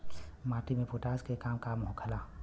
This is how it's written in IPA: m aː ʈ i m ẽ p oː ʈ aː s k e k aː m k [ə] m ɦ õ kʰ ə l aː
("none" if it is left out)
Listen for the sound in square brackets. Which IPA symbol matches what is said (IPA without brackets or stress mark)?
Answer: a